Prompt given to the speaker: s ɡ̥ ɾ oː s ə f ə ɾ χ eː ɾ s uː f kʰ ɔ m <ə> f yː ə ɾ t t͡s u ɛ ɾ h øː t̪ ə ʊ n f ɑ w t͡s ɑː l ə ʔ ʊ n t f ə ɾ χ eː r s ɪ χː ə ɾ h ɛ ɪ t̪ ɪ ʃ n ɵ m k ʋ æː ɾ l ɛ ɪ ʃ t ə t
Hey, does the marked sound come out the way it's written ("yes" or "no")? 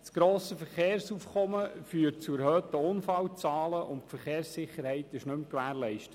yes